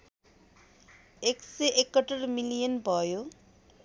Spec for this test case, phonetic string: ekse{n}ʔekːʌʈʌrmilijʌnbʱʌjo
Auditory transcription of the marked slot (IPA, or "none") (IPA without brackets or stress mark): none